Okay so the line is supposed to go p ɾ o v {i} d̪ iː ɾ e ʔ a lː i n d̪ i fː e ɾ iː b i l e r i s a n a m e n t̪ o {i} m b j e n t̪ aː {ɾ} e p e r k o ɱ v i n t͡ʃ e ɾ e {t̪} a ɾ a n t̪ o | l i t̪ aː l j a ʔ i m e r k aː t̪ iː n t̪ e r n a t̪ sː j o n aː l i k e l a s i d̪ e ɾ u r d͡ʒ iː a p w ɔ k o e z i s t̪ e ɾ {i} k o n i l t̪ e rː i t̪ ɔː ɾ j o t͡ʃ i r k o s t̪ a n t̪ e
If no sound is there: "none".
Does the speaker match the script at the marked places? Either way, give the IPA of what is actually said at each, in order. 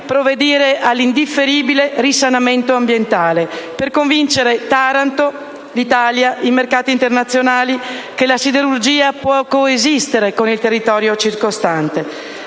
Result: e, a, l, t̪, e

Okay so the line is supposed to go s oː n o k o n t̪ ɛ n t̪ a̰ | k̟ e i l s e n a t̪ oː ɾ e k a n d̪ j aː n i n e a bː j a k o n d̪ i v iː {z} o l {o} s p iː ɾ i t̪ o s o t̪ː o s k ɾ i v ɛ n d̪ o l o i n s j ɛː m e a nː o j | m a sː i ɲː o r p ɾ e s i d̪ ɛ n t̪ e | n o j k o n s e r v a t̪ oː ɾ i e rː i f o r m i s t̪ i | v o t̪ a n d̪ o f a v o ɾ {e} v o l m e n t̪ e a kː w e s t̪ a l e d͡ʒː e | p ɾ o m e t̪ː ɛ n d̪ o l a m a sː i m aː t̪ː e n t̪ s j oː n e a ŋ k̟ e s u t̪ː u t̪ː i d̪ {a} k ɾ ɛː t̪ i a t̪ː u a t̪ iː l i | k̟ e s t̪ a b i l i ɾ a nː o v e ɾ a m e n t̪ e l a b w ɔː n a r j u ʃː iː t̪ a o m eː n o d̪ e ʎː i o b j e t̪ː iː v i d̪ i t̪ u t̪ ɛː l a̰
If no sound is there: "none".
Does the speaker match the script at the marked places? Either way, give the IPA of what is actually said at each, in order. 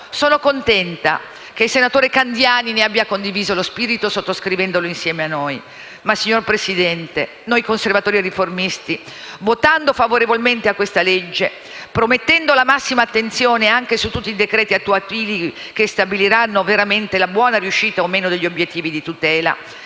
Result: z, o, e, e

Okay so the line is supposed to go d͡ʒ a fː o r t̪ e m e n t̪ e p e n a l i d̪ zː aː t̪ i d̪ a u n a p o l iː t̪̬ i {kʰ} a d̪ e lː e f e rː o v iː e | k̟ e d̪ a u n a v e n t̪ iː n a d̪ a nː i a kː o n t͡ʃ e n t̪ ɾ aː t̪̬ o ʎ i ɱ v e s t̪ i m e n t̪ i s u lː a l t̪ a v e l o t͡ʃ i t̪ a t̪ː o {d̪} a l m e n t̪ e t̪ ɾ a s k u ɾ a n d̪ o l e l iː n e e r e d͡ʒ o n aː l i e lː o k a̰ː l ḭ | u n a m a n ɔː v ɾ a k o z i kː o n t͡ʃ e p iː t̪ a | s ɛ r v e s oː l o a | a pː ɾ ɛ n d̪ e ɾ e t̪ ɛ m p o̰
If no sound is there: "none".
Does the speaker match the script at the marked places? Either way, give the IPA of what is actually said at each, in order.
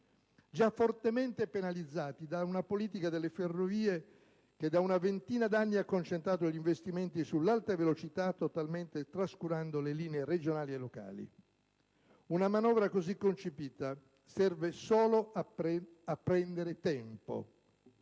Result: k, t̪

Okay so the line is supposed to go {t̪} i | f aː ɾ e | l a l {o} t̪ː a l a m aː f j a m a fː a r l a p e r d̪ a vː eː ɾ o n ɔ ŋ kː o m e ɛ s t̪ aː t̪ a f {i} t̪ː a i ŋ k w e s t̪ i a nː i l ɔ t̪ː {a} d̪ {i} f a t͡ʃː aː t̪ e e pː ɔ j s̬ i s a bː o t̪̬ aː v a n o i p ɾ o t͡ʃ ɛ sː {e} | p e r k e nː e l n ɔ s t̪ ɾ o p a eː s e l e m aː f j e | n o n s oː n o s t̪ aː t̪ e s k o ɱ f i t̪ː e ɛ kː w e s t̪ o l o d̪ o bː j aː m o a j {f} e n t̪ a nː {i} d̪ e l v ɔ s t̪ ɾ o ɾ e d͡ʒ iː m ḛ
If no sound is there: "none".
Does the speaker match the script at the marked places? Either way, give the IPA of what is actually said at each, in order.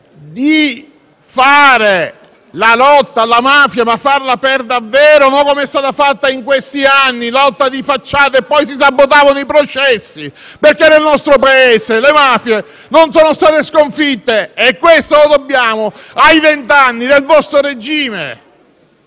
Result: d̪, ɔ, a, a, i, i, v, i

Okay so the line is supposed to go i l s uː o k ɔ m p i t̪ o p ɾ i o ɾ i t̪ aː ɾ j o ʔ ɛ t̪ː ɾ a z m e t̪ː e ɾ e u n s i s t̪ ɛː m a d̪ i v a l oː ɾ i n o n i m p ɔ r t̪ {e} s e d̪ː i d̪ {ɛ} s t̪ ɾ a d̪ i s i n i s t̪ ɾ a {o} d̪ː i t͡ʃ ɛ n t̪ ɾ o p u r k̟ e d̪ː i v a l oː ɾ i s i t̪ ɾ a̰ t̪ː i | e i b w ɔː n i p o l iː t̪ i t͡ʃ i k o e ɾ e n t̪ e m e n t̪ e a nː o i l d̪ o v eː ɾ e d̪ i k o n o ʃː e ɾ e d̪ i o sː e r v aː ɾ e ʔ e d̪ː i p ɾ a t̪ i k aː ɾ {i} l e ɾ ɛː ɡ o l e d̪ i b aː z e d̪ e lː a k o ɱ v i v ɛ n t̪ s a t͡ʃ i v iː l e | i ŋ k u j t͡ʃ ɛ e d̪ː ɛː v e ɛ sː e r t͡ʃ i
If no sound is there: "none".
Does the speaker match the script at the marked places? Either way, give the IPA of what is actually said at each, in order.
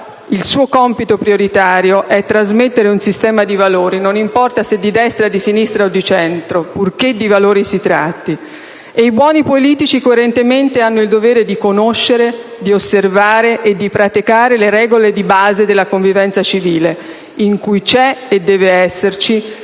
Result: a, ɛ, o, e

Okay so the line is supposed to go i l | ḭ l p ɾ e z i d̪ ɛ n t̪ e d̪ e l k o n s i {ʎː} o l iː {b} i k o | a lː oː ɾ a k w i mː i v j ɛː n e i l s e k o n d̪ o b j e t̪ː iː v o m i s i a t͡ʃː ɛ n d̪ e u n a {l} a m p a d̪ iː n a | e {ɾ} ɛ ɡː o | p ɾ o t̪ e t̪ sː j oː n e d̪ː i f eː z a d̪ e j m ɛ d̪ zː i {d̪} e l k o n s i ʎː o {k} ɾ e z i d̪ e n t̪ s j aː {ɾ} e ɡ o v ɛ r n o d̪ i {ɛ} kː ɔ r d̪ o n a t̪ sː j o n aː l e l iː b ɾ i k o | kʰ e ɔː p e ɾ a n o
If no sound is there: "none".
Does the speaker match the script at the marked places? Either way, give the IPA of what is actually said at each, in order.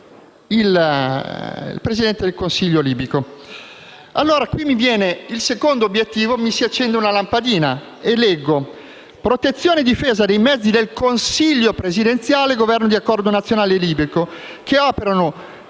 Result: ʎː, b, l, l, d̪, p, l, a

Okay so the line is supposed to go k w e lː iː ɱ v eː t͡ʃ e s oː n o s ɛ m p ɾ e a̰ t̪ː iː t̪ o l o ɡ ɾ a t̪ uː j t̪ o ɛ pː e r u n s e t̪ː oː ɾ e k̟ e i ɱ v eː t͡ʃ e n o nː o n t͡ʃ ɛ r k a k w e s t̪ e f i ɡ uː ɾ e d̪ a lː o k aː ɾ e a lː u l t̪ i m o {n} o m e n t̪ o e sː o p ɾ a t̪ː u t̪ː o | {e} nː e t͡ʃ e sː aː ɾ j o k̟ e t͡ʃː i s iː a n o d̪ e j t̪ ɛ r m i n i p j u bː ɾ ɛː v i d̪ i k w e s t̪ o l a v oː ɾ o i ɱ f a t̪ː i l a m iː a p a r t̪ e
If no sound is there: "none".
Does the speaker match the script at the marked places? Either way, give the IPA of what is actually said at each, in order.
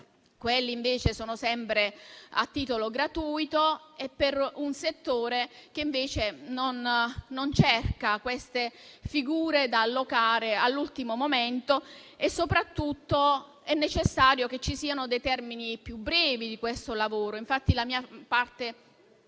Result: m, ɛ

